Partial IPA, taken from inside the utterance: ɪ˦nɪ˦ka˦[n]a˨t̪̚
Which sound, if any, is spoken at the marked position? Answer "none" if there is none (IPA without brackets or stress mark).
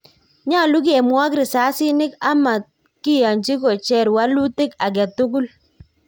m